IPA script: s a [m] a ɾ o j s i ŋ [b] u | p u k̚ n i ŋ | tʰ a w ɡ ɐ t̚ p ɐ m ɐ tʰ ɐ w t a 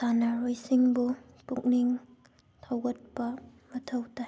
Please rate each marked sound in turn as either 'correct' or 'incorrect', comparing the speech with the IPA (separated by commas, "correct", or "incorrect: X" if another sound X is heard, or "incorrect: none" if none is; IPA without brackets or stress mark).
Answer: incorrect: n, correct